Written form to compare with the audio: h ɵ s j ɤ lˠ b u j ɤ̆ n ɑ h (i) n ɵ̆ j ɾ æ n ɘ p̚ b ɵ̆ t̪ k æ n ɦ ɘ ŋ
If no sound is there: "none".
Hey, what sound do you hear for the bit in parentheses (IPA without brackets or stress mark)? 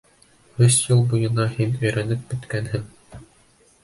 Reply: i